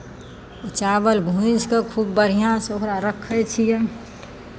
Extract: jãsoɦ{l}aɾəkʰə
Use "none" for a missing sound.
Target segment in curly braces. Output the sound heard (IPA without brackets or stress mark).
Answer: ɾ